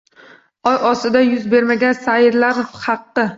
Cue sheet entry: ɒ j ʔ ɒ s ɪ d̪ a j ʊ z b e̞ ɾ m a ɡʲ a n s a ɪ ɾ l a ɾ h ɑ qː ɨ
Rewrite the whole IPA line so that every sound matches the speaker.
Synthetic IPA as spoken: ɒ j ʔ ɒ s ɪ d̪ a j ʊ z b e̞ ɾ m a ɡʲ a n s a ɪ ɾ l a ɾ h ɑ qː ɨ

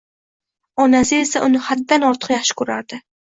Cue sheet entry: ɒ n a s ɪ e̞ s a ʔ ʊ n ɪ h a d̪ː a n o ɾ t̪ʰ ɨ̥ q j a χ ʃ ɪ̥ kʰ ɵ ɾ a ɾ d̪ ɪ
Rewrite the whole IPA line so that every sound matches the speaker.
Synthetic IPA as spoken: ɒ n a s ɪ e̞ s a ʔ ʊ n ɪ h a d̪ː a n ɒ ɾ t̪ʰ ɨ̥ q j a χ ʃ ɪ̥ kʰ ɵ ɾ a ɾ d̪ ɪ

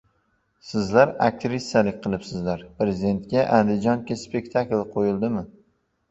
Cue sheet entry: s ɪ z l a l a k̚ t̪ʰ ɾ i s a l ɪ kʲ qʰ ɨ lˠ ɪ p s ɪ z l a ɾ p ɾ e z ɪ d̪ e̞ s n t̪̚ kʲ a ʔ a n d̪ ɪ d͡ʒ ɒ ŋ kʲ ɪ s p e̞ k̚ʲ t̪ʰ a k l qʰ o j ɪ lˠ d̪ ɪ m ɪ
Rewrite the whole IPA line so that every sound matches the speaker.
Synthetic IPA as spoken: s ɪ z l a ɾ a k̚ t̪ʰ ɾ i s a l ɪ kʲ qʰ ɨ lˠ ɪ p s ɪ z l a ɾ p ɾ e z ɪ d̪ e̞ n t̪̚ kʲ a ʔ a n d̪ ɪ d͡ʒ ɒ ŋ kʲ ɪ s p e̞ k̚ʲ t̪ʰ a k l qʰ o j ɪ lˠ d̪ ɪ m ɪ

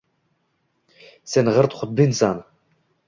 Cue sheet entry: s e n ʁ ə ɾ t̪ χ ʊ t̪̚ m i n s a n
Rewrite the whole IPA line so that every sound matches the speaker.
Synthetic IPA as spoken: s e n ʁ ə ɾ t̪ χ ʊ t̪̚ b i n s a n

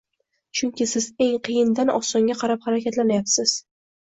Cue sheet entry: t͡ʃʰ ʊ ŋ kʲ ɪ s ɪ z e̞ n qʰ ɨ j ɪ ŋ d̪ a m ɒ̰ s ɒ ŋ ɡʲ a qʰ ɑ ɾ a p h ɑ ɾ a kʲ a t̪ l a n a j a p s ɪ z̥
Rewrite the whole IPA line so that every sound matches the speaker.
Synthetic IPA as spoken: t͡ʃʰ ʊ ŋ kʲ ɪ s ɪ z e̞ ŋ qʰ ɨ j ɪ n d̪ a n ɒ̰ s ɒ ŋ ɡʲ a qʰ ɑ ɾ a p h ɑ ɾ a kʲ a t̪ l a n a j a p s ɪ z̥

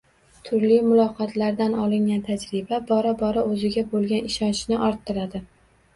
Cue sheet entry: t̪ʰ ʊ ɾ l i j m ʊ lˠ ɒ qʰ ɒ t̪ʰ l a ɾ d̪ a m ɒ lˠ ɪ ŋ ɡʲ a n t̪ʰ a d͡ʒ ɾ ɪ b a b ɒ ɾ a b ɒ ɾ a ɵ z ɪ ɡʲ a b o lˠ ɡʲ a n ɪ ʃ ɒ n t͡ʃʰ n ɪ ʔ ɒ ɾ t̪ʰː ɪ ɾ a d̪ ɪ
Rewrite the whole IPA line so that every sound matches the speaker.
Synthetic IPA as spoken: t̪ʰ ʊ ɾ l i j m ʊ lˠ ɒ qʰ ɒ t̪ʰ l a ɾ d̪ a n ɒ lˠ ɪ ŋ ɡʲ a n t̪ʰ a d͡ʒ ɾ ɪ b a b ɒ ɾ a b ɒ ɾ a ɵ z ɪ ɡʲ a b o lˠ ɡʲ a n ɪ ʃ ɒ n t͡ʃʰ n ɪ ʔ ɒ ɾ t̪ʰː ɪ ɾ a d̪ ɪ

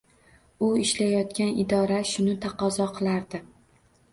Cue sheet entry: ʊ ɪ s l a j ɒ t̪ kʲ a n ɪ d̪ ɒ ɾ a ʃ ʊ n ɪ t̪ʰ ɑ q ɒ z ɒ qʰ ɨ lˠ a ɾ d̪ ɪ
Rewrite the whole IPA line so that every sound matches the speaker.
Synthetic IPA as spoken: ʊ ɪ ʃ l a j ɒ t̪ kʲ a n ɪ d̪ ɒ ɾ a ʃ ʊ n ɪ t̪ʰ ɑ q ɒ z ɒ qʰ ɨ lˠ a ɾ d̪ ɪ

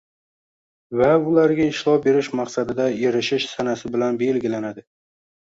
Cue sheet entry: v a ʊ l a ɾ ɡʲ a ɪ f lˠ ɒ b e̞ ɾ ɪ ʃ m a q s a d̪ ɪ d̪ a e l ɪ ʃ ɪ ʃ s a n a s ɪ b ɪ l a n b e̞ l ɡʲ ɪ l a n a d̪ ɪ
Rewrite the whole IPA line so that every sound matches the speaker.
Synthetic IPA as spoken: v a ʊ l a ɾ ɡʲ a ɪ ʃ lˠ ɒ b e̞ ɾ ɪ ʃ m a q s a d̪ ɪ d̪ a e ɾ ɪ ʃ ɪ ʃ s a n a s ɪ b ɪ l a n b e̞ l ɡʲ ɪ l a n a d̪ ɪ

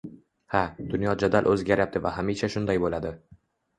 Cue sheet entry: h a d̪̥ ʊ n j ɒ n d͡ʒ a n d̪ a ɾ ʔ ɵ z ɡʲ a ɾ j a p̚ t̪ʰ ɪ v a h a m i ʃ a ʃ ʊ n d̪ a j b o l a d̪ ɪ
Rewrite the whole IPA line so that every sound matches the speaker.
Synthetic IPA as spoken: h a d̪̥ ʊ n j ɒ d͡ʒ a d̪ a l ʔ ɵ z ɡʲ a ɾ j a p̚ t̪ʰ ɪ v a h a m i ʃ a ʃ ʊ n d̪ a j b o l a d̪ ɪ

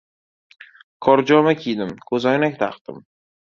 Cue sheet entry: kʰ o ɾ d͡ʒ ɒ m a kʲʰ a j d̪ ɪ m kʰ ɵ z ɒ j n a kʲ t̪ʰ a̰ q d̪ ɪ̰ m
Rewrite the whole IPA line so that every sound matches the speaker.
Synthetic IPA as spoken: kʰ ɒ ɾ d͡ʒ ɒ m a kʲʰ i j d̪ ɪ m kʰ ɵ z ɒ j n a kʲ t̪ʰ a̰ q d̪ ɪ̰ m

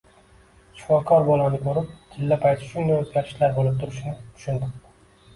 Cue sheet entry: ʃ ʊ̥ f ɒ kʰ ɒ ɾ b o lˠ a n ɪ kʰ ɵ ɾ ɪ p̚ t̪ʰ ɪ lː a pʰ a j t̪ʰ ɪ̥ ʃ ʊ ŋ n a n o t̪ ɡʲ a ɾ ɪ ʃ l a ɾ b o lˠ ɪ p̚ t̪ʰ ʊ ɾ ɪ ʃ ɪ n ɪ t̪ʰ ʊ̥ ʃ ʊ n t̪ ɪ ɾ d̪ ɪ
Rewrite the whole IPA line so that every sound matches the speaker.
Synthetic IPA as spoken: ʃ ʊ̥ f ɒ kʰ ɒ ɾ b ɒ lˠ a n ɪ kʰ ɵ ɾ ɪ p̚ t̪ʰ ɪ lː a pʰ a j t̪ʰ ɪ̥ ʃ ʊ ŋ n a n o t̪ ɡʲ a ɾ ɪ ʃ l a ɾ b o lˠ ɪ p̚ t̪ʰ ʊ ɾ ɪ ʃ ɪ n ɪ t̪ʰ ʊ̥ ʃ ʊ n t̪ ɪ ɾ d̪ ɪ

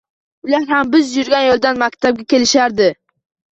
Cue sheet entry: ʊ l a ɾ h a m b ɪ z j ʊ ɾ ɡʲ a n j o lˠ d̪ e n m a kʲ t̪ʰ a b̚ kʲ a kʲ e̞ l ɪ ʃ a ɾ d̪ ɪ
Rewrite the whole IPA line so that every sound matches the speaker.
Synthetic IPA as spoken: ʊ l a ɾ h a m b ɪ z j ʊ ɾ ɡʲ a n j o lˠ d̪ a n m a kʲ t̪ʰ a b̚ ɡʲ a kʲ e̞ l ɪ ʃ a ɾ d̪ ɪ

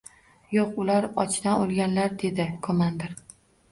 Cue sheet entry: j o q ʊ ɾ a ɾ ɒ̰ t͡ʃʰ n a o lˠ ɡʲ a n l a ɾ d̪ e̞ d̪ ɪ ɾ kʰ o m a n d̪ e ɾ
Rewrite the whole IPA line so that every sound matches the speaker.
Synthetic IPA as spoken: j o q ʊ l a ɾ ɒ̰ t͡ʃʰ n a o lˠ ɡʲ a n l a ɾ d̪ e̞ d̪ ɪ kʰ o m a n d̪ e ɾ

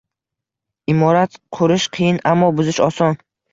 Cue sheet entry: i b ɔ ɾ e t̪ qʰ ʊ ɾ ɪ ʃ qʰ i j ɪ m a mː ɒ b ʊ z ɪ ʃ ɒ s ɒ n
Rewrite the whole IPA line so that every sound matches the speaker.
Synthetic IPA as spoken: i m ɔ ɾ a t̪ qʰ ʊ ɾ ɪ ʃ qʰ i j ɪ n a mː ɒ b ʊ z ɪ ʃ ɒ s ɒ n

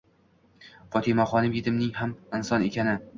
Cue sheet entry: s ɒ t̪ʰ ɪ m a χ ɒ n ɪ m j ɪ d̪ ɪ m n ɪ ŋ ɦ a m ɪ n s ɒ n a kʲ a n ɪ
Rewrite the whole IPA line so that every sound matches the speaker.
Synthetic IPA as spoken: f ɒ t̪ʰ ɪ m a χ ɒ n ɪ m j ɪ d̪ ɪ m n ɪ ŋ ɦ a m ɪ n s ɒ n e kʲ a n ɪ

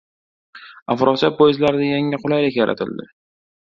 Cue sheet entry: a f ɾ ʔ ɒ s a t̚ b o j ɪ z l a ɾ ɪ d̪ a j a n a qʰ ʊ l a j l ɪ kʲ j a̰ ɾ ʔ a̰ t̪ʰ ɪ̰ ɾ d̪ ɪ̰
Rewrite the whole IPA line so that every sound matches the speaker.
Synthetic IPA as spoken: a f ɾ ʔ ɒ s a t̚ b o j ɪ z l a ɾ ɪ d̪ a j a ŋ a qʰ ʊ l a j l ɪ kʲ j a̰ ɾ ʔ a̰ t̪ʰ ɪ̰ l d̪ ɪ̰

